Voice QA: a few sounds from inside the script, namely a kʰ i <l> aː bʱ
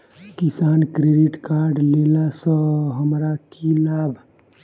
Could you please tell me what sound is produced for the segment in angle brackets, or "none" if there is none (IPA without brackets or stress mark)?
l